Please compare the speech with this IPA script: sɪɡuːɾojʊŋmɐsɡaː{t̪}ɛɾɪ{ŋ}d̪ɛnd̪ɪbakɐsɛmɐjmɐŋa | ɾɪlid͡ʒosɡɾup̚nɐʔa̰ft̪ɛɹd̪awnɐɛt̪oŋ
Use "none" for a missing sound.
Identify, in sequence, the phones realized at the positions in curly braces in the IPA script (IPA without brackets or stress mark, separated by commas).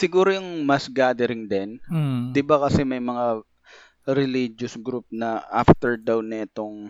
d̪, ŋ